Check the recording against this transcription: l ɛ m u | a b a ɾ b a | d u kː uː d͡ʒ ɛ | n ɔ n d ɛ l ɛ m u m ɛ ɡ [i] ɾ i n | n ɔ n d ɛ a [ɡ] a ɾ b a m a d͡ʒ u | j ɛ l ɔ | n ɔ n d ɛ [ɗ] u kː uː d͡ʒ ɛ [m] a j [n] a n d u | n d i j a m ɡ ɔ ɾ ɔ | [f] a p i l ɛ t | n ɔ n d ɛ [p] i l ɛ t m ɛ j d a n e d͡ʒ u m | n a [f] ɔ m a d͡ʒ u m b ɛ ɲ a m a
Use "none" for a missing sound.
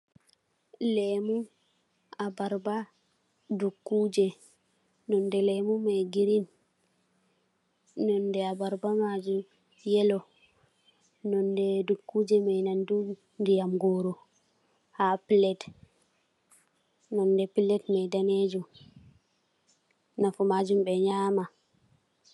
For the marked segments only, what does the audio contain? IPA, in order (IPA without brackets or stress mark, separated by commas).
i, b, d, m, n, h, p, f